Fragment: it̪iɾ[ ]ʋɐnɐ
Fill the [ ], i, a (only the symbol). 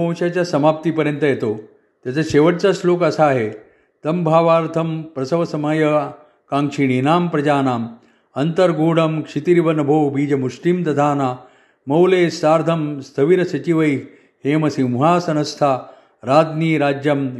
i